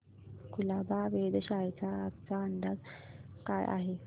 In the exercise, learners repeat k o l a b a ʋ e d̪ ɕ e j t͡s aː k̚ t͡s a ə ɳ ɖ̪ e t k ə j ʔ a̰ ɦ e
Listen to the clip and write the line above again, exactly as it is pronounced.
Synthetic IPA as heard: k u l a b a ʋ e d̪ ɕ a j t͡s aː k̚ t͡s a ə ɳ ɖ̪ a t k a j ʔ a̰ ɦ e